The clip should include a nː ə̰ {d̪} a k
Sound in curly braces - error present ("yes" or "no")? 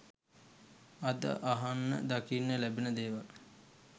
no